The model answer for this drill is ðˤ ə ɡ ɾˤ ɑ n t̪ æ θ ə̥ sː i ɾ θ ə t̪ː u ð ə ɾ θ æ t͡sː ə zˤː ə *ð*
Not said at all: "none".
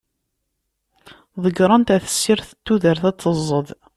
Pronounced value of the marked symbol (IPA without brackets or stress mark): ð